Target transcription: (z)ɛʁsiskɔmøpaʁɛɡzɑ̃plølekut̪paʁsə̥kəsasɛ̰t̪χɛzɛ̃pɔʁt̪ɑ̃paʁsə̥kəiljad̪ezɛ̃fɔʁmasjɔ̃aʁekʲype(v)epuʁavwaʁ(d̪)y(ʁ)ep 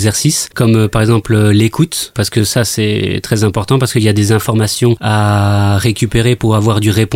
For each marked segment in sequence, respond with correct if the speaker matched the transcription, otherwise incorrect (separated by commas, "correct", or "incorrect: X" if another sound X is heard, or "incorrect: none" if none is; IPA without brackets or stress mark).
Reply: correct, incorrect: ʁ, correct, correct